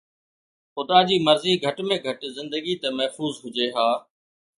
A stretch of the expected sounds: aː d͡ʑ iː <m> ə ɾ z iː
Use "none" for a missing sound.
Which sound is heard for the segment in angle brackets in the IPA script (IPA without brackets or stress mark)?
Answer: m